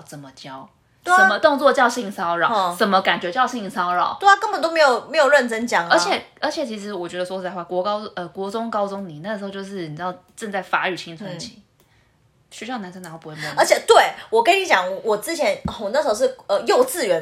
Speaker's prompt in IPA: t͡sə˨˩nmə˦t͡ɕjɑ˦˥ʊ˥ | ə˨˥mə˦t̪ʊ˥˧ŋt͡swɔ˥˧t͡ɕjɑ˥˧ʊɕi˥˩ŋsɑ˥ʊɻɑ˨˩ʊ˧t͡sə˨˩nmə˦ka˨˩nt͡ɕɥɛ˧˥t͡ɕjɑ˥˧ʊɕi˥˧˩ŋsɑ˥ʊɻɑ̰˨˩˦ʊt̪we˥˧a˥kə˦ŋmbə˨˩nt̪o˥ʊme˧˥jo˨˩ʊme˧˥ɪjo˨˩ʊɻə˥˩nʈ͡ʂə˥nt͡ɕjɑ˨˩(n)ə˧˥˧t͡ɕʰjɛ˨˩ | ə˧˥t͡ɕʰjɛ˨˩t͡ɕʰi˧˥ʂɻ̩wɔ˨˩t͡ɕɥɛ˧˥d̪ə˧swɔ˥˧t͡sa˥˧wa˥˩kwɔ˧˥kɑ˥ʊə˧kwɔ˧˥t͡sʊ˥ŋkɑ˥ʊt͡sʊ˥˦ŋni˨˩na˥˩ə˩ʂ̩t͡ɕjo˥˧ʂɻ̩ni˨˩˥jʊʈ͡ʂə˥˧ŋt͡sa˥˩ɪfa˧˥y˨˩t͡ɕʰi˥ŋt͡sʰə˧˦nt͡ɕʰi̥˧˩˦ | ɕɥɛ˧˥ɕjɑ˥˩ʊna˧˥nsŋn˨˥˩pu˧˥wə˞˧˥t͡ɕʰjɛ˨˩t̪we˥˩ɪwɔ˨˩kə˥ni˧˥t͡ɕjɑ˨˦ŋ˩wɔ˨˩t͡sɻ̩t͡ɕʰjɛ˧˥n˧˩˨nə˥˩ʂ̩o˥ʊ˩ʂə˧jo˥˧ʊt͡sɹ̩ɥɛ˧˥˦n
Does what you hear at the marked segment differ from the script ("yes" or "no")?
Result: yes